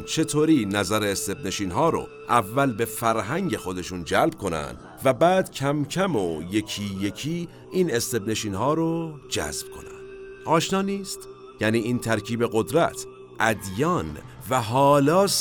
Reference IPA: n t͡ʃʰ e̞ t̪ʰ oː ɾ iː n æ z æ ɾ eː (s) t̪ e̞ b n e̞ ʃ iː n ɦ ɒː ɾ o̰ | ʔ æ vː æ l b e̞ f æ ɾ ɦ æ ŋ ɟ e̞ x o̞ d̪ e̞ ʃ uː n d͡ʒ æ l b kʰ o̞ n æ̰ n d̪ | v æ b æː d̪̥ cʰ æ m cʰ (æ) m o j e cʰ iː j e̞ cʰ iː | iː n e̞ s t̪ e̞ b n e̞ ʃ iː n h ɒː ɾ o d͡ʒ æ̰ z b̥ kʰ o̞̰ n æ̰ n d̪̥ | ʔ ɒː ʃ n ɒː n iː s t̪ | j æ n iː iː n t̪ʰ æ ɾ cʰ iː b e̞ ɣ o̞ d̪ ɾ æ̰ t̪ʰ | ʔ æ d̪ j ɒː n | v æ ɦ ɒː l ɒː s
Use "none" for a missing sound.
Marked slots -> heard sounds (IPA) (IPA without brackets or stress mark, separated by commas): s, æ